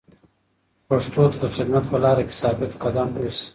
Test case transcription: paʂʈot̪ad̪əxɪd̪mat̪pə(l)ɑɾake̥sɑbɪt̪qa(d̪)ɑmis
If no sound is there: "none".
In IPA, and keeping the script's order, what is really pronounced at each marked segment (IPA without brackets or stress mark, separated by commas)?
l, d̪